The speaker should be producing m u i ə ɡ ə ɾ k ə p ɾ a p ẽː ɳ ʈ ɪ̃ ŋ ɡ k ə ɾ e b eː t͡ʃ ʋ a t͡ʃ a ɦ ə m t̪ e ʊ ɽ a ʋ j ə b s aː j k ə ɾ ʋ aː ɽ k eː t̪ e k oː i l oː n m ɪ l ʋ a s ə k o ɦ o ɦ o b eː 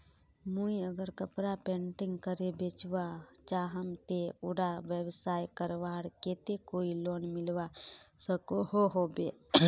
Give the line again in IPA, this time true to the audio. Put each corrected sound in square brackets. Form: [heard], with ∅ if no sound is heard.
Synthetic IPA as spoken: m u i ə ɡ ə ɾ k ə p ɾ a p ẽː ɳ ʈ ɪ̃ ŋ ɡ k ə ɾ e b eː t͡ʃ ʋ a t͡ʃ a ɦ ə m t̪ e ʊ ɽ a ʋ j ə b s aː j k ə ɾ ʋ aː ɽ k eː t̪ e k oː i l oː n m ɪ l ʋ a s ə k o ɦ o ɦ o b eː